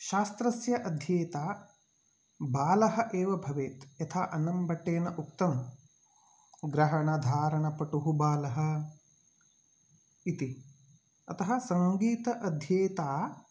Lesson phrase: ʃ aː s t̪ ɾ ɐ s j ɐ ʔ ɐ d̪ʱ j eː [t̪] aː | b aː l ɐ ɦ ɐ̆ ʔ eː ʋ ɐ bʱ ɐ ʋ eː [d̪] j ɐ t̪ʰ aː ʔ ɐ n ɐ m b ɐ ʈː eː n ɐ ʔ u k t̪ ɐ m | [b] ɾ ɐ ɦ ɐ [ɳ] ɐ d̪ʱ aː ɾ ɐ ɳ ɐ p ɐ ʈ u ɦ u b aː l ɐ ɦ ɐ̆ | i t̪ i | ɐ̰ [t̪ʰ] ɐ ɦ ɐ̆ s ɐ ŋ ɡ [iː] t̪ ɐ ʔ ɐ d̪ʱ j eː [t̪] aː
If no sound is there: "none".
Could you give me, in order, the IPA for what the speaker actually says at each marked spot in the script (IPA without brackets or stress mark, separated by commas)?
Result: t̪, t̪, ɡ, ɳ, t̪, iː, t̪